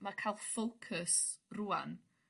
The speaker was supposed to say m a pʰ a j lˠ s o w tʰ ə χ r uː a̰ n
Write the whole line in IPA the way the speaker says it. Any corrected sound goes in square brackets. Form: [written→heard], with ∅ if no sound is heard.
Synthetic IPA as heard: m a [pʰ→kʰ] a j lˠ [s→f] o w [tʰ→kʰ] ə [χ→s] r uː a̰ n